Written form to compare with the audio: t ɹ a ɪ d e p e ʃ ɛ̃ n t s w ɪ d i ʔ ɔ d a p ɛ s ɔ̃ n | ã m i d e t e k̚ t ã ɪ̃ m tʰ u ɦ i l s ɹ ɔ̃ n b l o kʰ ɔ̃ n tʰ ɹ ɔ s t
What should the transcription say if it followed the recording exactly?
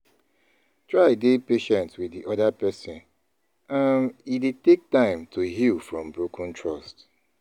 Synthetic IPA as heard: t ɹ a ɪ d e p e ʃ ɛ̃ n t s w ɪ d i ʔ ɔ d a p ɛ s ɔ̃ n | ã m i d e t e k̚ t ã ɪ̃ m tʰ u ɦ i l f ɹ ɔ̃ m b ɹ o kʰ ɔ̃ n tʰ ɹ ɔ s t